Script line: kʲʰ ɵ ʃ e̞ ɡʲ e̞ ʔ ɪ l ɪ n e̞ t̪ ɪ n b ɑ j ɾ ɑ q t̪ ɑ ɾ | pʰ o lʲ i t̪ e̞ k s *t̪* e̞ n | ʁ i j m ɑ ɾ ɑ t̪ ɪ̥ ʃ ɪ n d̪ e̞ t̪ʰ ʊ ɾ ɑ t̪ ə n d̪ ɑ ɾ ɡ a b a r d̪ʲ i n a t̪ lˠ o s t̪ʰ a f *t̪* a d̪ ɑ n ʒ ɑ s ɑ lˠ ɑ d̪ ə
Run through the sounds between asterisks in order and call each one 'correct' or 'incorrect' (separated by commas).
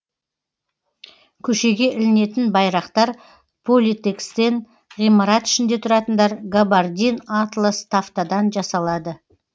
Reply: correct, correct